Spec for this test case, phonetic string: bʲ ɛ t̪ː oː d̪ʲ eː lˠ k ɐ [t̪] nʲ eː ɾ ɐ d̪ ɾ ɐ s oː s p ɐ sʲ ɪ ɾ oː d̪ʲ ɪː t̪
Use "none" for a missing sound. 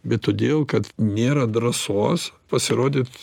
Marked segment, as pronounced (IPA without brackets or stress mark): t̪